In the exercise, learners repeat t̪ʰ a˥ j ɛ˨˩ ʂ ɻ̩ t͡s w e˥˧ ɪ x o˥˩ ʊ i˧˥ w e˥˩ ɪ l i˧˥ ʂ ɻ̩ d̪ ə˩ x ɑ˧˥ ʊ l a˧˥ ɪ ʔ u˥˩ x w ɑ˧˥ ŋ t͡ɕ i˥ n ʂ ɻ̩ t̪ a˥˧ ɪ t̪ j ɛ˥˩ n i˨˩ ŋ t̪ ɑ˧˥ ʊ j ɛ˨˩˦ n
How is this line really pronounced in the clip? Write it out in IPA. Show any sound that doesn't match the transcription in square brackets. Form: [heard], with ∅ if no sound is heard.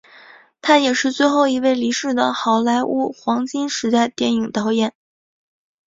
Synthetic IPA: t̪ʰ a˥ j ɛ˨˩ ʂ ɻ̩ t͡s w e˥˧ ɪ x o˥˩ ʊ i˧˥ w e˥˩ ɪ l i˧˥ ʂ ɻ̩ d̪ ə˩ x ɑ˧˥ ʊ l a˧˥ ɪ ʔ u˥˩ x w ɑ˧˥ ŋ t͡ɕ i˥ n ʂ ɻ̩ t̪ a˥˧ ɪ t̪ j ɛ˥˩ n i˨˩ ŋ t̪ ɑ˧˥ ʊ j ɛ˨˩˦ n